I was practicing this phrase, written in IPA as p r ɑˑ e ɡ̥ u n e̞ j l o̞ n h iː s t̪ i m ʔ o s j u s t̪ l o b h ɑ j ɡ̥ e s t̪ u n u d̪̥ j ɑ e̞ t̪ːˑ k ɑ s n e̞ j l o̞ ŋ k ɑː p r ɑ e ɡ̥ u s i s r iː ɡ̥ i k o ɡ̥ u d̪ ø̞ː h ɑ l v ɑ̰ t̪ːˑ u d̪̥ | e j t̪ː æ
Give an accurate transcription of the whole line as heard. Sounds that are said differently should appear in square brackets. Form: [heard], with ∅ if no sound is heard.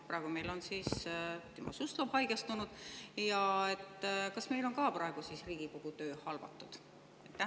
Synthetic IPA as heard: p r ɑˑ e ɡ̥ u [m] e̞ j l o̞ n [s] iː s t̪ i m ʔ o s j u s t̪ l o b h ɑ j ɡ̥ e s t̪ u n u d̪̥ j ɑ e̞ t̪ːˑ k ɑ s [m] e̞ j l o̞ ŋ k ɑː p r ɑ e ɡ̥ u s i s r iː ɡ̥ i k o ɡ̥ u [t̪] ø̞ː h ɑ l v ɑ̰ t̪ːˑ u d̪̥ | e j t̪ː æ